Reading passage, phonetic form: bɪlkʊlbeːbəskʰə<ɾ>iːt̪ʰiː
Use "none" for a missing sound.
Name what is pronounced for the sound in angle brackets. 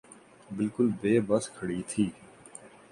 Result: ɽ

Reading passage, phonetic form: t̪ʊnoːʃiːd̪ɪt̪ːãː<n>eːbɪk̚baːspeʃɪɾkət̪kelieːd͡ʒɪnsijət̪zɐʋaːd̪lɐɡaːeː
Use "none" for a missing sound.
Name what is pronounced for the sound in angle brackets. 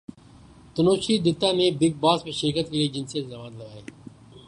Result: n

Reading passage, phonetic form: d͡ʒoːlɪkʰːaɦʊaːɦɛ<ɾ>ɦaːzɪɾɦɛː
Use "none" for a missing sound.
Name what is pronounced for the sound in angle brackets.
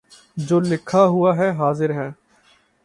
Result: none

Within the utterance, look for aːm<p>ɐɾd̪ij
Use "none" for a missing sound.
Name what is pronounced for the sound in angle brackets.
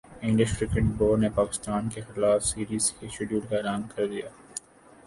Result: k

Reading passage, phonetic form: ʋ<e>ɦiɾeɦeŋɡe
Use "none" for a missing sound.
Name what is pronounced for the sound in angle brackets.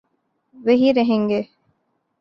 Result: e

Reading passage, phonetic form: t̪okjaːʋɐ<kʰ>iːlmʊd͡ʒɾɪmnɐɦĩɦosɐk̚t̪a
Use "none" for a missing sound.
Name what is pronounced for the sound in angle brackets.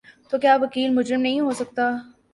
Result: k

